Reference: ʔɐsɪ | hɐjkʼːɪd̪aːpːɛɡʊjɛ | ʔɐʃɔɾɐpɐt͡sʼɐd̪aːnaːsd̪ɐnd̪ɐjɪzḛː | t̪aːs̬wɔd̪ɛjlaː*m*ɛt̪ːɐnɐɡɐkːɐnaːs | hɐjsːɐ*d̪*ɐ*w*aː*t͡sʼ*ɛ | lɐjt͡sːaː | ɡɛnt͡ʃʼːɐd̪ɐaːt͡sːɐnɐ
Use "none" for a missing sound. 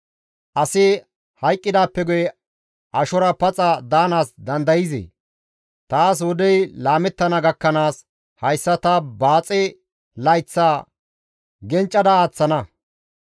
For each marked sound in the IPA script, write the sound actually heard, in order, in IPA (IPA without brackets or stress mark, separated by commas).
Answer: m, t̪, b, t͡sʼ